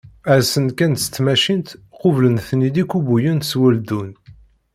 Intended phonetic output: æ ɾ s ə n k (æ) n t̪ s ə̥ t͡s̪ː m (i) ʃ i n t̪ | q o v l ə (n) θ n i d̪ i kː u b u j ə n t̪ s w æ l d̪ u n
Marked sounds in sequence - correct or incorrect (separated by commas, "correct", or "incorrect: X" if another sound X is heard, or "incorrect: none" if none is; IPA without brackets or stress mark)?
correct, incorrect: æ, correct